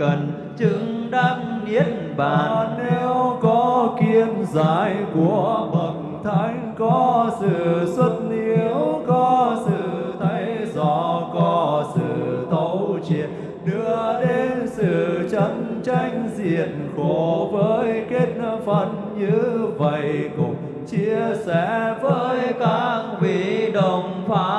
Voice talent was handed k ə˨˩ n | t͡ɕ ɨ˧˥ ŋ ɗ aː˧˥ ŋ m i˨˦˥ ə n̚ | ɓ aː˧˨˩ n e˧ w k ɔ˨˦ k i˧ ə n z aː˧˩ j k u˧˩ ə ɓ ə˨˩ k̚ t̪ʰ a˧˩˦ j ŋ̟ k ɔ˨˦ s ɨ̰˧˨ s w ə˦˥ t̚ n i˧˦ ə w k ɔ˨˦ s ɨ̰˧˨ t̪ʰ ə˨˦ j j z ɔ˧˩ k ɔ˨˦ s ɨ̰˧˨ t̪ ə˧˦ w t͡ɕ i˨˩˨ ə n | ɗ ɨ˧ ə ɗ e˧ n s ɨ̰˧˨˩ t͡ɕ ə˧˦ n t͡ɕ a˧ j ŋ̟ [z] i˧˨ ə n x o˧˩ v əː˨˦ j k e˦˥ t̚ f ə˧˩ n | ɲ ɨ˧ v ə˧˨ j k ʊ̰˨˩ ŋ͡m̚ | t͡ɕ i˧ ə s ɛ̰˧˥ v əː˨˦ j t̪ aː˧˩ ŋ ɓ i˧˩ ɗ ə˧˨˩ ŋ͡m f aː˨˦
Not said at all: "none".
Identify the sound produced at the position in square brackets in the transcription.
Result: z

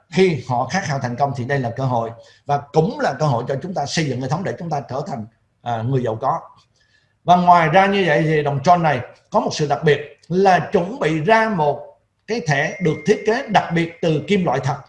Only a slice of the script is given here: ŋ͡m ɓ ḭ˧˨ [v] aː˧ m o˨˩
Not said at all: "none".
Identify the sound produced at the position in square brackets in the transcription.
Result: z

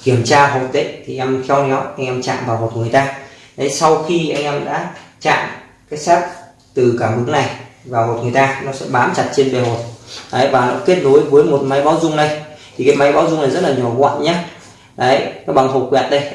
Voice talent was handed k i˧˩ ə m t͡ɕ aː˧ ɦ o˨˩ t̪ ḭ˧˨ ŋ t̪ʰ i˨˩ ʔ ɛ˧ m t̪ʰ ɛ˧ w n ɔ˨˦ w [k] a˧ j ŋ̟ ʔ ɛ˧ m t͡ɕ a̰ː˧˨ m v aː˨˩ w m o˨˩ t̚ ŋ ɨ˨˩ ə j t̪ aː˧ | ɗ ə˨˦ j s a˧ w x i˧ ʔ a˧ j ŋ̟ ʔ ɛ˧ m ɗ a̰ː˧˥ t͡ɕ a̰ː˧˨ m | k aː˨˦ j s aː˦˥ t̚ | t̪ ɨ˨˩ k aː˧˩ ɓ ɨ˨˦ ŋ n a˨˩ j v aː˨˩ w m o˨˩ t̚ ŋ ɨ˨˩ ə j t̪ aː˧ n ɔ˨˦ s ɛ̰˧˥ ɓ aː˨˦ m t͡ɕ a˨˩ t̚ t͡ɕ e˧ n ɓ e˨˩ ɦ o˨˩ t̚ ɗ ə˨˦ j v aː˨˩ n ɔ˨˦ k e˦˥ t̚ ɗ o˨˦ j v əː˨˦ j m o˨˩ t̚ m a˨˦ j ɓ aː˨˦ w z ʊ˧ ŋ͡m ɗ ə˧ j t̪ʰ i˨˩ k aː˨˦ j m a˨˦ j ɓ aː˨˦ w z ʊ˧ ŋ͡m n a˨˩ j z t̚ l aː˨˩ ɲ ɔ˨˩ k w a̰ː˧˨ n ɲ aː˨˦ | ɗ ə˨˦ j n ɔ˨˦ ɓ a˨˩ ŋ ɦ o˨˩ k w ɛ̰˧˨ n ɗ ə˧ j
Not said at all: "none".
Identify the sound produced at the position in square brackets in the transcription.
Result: ʔ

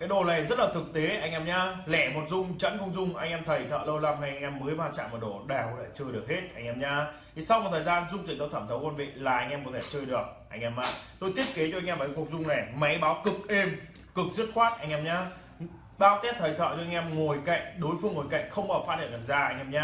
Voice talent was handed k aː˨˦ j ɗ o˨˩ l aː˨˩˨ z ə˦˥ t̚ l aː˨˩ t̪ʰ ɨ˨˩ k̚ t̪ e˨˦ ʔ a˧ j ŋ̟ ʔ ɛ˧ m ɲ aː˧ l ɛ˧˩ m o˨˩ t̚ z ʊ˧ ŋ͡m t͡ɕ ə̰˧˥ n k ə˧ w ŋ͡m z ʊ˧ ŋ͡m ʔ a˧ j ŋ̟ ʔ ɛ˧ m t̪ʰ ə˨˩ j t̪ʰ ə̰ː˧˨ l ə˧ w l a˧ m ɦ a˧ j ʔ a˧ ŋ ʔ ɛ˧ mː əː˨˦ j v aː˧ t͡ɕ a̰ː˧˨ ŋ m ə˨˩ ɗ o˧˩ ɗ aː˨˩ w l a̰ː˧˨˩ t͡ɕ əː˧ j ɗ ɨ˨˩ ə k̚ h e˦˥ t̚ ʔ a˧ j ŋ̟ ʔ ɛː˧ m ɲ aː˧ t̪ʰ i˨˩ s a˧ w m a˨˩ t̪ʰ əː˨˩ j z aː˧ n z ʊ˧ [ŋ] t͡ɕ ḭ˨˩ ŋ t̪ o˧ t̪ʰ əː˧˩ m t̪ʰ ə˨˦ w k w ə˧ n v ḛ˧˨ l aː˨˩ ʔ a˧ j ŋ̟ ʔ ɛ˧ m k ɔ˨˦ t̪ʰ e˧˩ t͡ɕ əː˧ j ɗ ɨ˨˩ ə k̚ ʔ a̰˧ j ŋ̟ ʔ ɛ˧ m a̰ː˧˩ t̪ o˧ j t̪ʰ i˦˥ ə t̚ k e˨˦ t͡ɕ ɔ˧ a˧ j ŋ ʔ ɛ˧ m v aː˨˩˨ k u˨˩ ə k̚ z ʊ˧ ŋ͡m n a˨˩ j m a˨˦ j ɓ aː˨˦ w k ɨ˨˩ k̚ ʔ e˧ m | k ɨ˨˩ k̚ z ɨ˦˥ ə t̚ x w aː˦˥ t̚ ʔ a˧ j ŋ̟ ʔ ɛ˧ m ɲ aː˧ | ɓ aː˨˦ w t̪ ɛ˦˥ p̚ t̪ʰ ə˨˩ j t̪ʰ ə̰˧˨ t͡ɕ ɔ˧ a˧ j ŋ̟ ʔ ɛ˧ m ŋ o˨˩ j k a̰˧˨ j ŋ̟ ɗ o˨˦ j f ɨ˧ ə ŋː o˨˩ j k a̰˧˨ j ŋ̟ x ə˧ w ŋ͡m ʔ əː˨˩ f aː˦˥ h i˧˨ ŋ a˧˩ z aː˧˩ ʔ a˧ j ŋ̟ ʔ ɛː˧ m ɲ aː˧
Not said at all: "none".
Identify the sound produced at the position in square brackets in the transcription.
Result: ŋ͡m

